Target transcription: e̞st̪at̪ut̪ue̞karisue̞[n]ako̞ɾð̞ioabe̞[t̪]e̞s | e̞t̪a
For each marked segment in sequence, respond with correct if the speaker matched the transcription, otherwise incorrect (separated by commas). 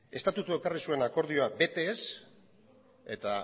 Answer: correct, correct